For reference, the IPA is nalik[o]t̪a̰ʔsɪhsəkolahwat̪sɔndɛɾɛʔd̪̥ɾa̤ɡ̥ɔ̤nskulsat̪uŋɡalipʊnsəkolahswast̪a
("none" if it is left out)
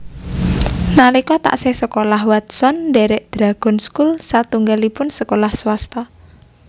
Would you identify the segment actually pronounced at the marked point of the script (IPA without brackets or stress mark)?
ɔ